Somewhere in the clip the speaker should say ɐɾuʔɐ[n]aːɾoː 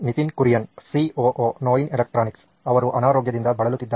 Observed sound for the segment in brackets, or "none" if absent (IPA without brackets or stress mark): n